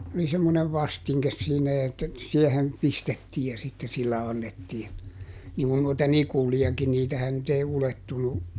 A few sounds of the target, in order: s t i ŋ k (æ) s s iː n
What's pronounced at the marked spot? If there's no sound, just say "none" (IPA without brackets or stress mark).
e